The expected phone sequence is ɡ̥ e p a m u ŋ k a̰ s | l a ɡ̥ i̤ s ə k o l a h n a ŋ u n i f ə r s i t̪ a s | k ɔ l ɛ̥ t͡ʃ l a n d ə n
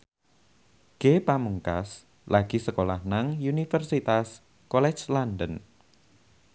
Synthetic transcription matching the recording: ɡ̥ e p a m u ŋ k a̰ s | l a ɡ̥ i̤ s ə k o l a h n a ŋ u n i f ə r s i t̪ a s | k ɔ l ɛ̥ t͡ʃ l a n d ə n